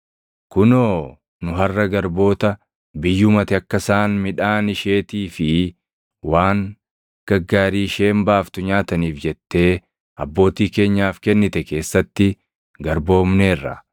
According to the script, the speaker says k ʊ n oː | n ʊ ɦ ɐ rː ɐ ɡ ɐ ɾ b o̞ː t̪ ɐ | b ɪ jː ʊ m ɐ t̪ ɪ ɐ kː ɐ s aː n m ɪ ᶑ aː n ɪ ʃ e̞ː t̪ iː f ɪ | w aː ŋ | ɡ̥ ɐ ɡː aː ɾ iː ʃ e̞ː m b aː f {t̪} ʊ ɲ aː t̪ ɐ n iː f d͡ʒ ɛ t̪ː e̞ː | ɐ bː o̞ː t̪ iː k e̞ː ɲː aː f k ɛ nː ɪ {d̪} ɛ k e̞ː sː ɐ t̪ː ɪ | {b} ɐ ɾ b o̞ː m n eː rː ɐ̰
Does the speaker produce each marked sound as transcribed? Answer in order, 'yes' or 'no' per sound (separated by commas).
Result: yes, no, no